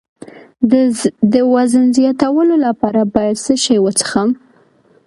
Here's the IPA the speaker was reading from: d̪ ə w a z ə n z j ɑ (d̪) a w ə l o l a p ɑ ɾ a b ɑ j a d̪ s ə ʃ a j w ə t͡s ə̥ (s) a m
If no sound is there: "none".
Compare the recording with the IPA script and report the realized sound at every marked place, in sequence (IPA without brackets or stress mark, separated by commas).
t̪, x